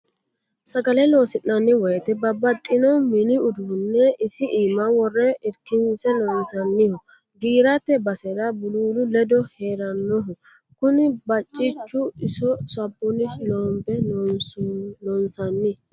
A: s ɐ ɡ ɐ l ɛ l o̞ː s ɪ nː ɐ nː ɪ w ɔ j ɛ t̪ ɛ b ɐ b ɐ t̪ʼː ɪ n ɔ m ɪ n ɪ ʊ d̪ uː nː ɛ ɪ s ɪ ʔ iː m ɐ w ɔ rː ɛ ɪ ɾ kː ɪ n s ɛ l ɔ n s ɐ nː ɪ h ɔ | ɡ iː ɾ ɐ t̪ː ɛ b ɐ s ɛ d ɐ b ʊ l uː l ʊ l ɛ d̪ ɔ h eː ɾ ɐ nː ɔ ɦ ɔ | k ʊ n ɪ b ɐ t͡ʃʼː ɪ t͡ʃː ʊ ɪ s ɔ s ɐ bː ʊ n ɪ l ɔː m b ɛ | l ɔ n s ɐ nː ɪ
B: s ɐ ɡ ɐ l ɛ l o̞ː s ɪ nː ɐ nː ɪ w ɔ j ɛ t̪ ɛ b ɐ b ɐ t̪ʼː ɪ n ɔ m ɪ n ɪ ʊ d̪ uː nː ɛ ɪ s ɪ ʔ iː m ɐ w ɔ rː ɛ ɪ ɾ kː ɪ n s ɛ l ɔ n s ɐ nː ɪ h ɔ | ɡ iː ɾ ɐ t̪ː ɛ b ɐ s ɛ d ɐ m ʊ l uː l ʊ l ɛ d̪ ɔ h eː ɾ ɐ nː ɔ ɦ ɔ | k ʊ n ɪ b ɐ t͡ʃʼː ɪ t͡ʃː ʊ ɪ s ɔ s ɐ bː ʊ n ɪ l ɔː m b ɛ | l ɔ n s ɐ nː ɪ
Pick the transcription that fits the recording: A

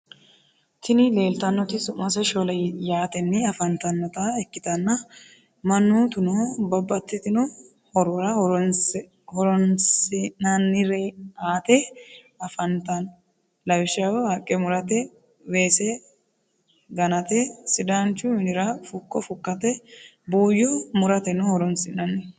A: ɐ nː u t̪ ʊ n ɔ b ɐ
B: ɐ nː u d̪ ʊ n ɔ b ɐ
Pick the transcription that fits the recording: A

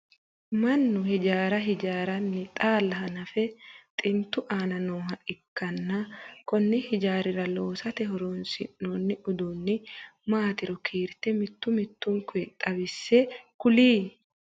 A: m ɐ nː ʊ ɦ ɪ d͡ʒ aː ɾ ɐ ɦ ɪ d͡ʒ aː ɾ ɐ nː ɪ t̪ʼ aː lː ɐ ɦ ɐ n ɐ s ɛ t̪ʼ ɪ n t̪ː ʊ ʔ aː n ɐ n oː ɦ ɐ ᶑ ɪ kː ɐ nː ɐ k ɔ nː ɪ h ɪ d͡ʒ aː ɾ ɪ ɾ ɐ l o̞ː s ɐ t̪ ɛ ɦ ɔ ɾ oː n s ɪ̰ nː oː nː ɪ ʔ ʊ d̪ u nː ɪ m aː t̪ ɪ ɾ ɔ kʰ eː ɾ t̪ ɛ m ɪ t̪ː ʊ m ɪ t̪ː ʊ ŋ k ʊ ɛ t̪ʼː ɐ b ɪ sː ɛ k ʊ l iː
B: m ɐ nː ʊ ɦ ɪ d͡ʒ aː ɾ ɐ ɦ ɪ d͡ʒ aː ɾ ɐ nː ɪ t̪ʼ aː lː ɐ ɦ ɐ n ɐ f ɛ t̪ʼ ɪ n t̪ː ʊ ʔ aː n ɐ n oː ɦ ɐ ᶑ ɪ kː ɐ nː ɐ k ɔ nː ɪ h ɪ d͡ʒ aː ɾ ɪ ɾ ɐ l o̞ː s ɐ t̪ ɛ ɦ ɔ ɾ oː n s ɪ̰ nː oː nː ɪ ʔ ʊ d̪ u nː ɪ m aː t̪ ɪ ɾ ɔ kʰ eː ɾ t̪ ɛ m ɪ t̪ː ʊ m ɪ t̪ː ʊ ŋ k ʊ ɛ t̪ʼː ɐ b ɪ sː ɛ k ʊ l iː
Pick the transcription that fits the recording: B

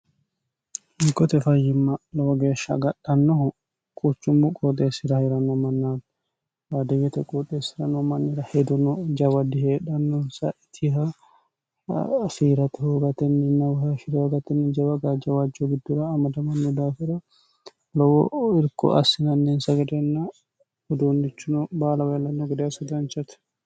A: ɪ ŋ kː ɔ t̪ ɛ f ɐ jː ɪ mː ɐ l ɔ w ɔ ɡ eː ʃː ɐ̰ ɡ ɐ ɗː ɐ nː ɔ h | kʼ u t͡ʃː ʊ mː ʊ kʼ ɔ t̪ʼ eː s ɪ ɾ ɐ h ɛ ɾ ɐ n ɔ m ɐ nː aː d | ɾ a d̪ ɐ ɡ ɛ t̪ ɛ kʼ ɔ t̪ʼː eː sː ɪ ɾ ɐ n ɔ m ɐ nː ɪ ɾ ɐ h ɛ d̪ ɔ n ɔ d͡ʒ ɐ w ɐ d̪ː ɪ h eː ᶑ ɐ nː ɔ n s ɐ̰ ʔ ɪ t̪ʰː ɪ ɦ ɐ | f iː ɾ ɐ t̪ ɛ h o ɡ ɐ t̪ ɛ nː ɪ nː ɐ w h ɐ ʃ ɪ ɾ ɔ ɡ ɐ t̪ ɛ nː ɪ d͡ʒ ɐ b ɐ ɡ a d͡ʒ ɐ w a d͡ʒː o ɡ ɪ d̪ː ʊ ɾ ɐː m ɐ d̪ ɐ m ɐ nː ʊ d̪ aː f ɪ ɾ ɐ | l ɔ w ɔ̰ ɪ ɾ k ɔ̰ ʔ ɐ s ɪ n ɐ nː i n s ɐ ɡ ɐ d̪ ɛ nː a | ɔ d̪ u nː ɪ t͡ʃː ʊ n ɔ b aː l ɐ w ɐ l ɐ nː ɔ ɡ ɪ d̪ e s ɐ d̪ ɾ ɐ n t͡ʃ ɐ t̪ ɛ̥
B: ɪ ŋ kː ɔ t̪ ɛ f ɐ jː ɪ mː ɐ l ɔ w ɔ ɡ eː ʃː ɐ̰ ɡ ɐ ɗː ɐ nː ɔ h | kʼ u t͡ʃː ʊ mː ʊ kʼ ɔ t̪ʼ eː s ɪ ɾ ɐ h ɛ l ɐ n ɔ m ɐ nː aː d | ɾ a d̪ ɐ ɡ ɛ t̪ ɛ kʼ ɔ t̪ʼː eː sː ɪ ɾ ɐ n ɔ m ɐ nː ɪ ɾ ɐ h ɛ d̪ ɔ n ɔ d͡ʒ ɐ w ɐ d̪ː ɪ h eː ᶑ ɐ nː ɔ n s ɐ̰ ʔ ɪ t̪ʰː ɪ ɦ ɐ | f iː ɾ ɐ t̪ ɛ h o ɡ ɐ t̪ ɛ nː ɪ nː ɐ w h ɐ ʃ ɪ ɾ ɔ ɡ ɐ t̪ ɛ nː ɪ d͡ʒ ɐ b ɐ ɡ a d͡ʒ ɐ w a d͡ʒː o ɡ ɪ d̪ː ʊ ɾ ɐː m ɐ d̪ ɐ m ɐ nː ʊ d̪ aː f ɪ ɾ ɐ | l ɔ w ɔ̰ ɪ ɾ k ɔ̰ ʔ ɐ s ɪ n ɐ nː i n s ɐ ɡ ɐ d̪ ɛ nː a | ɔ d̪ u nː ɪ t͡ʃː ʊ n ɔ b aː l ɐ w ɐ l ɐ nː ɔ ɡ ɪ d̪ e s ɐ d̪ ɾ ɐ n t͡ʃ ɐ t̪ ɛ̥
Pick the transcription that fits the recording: A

